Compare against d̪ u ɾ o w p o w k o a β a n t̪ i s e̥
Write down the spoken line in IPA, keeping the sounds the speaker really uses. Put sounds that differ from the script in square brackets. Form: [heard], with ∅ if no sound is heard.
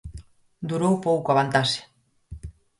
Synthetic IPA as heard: d̪ u ɾ o w p o w k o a β a n t̪ [a] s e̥